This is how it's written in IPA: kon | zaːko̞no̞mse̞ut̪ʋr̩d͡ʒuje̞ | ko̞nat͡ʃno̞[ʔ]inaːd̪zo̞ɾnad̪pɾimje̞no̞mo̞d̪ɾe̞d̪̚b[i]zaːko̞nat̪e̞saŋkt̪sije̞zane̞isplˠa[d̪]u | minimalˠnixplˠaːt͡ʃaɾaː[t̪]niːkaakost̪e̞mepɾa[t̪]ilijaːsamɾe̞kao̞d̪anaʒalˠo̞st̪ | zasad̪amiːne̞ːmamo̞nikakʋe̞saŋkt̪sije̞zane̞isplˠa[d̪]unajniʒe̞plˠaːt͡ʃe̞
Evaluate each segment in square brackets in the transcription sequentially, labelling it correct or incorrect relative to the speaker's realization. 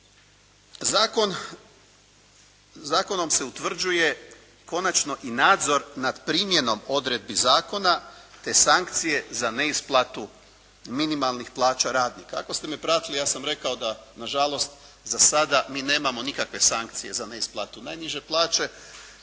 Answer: correct, correct, incorrect: t̪, incorrect: d̪, correct, incorrect: t̪

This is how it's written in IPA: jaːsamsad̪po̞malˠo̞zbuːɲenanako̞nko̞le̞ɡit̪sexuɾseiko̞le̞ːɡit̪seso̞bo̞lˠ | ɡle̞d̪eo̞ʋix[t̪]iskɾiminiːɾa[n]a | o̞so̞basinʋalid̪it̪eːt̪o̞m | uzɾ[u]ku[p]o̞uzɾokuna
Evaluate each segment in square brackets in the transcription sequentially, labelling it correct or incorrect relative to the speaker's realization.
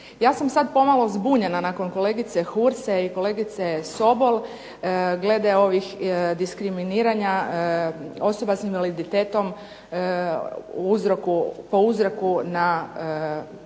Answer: incorrect: d̪, incorrect: ɲ, incorrect: o, correct

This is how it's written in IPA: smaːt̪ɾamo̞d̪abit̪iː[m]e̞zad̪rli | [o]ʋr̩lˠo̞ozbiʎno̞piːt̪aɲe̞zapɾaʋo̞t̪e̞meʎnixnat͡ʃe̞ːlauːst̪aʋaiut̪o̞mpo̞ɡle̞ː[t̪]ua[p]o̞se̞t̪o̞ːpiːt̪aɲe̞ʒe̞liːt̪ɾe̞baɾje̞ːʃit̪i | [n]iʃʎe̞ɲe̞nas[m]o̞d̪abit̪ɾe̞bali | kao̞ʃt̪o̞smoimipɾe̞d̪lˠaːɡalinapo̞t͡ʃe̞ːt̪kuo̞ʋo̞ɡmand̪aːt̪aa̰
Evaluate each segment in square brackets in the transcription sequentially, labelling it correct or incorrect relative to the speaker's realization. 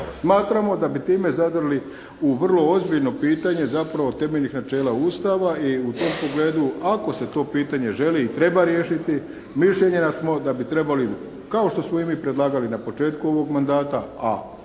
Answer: correct, incorrect: u, incorrect: d̪, incorrect: k, incorrect: m, correct

